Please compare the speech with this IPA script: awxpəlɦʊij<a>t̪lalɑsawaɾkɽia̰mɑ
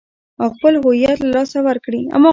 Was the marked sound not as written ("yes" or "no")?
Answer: no